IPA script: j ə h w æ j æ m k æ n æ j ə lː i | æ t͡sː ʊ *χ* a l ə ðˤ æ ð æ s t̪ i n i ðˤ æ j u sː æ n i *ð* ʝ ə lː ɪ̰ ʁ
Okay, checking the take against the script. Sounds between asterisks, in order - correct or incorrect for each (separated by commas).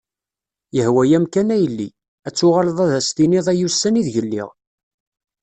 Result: incorrect, correct